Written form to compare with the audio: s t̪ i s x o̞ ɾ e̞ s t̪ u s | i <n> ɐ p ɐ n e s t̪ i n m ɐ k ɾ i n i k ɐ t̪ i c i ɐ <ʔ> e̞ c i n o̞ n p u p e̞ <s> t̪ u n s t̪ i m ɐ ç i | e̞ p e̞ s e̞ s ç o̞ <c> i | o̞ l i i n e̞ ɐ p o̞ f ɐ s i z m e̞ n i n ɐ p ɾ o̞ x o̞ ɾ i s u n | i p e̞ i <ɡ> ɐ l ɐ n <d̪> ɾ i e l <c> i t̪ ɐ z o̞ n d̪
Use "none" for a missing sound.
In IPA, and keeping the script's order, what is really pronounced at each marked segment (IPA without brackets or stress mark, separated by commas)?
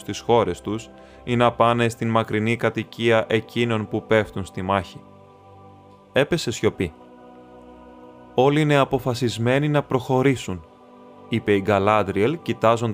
n, ʔ, f, p, ɡ, d̪, c